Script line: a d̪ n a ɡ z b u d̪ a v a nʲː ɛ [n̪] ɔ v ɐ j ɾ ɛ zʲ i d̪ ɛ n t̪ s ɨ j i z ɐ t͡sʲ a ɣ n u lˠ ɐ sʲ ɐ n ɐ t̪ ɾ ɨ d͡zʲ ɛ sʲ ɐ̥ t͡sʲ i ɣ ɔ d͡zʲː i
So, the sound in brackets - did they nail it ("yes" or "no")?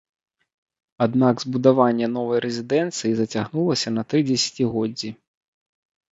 yes